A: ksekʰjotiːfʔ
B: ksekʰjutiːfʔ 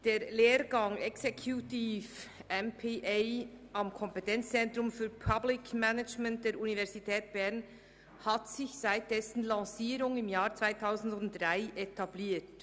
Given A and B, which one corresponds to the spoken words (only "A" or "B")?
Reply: B